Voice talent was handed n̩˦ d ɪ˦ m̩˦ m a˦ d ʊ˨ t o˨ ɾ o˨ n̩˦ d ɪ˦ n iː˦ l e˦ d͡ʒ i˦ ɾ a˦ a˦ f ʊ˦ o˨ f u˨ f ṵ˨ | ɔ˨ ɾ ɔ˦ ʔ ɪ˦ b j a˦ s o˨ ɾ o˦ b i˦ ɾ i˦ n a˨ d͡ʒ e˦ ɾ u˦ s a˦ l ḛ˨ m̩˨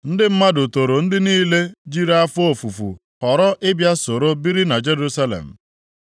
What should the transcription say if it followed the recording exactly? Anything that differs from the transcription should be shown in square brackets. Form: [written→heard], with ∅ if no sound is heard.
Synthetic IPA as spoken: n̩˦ d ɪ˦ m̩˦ m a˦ d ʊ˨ t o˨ ɾ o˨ n̩˦ d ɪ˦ n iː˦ l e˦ d͡ʒ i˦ ɾ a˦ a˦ f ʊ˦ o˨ f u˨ f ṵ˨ | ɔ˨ ɾ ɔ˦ ʔ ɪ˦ b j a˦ s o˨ ɾ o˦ b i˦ ɾ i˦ n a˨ d͡ʒ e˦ ɾ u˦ s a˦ l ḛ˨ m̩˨